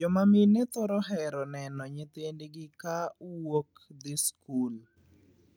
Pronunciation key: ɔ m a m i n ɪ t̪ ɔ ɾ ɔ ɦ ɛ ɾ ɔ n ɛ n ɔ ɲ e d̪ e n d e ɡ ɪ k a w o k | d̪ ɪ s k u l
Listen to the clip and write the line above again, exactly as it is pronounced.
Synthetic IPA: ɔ m a m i n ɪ t̪ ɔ ɾ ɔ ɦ ɛ ɾ ɔ n ɛ n ɔ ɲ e t̪ e n d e ɡ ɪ k a w o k | d̪ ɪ s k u l

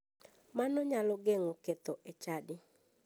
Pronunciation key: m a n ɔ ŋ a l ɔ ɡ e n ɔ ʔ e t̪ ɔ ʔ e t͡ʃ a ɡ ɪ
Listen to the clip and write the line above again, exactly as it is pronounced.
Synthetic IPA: m a n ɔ ɲ a l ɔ ɡ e ŋ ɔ k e t̪ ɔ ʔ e t͡ʃ a d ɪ

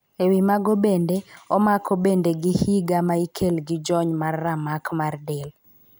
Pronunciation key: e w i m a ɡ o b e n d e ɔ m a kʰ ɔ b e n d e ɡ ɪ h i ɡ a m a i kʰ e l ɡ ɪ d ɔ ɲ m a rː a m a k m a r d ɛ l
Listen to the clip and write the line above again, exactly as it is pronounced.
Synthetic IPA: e w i m a ɡ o b e n d e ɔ m a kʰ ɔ b e n d e ɡ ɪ h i ɡ a m a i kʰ e l ɡ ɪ d͡ʒ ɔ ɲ m a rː a m a k m a r d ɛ l

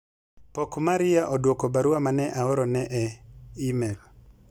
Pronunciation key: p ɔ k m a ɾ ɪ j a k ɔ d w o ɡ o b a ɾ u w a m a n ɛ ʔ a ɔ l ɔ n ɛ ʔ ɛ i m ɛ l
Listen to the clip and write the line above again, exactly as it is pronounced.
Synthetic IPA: p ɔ k m a ɾ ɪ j a ʔ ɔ d w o k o b a ɾ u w a m a n ɛ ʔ a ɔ ɾ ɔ n ɛ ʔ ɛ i m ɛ l

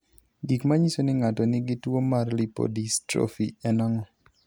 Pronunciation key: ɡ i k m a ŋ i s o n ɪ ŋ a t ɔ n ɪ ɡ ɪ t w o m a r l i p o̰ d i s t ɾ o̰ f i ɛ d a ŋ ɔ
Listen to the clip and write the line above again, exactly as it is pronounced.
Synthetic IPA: ɡ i k m a ɲ i s o n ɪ ŋ a t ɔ n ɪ ɡ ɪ t w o m a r l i p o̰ d i s t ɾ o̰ f i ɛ n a ŋ ɔ

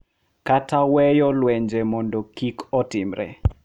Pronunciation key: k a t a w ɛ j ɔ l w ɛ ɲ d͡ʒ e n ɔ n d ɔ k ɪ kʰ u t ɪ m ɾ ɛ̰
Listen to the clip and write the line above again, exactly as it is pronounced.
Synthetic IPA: k a t a w ɛ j ɔ l w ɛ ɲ d͡ʒ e m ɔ n d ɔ k i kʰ ɔ t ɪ m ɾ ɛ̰

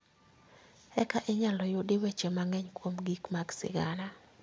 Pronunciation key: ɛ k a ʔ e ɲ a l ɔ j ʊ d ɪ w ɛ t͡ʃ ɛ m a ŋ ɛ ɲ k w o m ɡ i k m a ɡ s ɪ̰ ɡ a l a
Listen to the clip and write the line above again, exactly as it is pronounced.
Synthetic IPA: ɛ k a ʔ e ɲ a l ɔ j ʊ d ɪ w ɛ t͡ʃ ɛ m a ŋ ɛ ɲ k w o m ɡ i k m a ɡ s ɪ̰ ɡ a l a

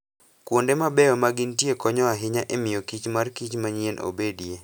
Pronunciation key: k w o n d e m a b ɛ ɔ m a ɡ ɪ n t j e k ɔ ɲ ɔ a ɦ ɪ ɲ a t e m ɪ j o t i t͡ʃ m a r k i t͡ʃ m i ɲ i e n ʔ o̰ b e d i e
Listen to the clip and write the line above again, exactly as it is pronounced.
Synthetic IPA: k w o n d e m a b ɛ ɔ m a ɡ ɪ n t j e k ɔ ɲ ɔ a ɦ ɪ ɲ a ʔ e m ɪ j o k i t͡ʃ m a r k i t͡ʃ m a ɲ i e n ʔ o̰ b e d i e

